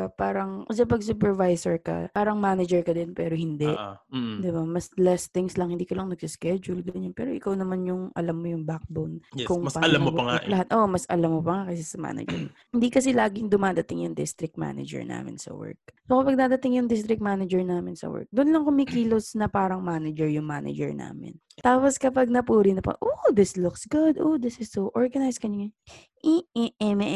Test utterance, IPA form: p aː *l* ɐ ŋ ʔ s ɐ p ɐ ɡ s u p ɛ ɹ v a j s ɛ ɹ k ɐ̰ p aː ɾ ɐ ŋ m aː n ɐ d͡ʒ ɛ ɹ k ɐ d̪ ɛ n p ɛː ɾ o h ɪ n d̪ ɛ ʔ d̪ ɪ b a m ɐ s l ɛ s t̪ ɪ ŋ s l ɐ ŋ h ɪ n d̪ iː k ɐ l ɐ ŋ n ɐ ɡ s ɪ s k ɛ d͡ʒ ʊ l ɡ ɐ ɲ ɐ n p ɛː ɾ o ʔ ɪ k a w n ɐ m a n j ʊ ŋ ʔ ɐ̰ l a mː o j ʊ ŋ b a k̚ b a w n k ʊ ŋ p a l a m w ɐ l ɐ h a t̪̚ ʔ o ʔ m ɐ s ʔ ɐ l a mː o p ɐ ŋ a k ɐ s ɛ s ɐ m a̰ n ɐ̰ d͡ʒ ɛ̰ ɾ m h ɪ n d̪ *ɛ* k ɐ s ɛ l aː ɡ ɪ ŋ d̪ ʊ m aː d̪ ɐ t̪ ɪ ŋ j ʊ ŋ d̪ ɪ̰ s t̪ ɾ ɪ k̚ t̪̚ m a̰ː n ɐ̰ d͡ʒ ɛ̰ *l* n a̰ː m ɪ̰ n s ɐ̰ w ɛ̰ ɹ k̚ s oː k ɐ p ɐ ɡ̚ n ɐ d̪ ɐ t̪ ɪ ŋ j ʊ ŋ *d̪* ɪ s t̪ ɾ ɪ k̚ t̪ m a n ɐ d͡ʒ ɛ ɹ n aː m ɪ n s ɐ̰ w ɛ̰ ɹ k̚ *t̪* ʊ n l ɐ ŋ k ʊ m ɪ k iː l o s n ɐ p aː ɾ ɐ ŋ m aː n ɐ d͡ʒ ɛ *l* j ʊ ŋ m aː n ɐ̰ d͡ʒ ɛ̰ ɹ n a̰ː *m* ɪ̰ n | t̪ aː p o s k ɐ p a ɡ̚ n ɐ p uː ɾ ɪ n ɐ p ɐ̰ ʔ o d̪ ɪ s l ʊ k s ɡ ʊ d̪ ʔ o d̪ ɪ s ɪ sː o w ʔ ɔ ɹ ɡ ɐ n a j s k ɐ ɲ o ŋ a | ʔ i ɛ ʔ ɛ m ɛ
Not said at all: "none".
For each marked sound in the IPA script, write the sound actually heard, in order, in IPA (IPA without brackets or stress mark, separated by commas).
ɾ, i, ɹ, d̪, d̪, ɹ, m